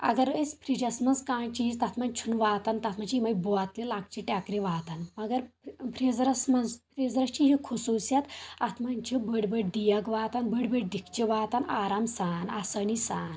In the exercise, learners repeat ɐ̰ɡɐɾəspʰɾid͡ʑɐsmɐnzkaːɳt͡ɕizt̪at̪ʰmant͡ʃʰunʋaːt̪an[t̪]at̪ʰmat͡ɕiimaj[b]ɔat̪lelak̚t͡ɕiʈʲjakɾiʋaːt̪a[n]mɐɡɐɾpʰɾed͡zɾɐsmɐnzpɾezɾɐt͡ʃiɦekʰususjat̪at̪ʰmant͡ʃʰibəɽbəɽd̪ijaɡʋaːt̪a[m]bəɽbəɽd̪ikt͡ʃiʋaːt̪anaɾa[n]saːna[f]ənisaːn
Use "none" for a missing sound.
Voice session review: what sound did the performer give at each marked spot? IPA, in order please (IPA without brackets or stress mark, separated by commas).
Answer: t̪, b, n, n, m, s